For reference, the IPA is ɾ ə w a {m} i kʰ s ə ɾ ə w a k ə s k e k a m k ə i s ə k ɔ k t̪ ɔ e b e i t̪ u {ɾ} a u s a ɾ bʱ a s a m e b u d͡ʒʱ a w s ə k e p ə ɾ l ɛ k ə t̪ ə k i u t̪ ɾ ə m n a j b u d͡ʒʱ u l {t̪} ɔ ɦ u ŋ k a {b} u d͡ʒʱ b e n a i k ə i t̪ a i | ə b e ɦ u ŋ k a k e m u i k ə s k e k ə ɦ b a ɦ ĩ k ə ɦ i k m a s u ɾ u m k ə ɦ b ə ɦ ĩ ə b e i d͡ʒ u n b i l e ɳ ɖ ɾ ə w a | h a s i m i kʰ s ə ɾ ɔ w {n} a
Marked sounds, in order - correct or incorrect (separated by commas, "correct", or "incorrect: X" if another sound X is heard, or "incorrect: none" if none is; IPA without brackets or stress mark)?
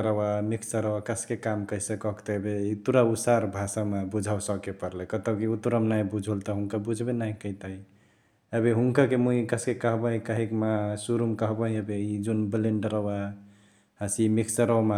correct, correct, correct, correct, incorrect: m